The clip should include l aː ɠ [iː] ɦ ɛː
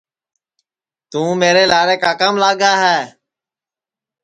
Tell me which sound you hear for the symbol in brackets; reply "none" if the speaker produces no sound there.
aː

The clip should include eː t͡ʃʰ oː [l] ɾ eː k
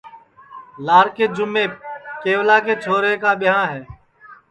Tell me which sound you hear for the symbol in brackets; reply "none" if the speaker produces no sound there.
none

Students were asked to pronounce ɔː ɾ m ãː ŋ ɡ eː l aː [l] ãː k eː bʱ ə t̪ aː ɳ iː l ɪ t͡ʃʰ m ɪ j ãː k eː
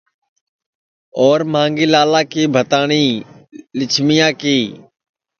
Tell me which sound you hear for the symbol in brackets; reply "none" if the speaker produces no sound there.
l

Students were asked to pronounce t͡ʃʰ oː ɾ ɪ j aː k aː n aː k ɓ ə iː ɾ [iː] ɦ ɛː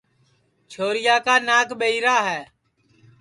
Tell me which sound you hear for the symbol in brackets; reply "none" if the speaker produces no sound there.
aː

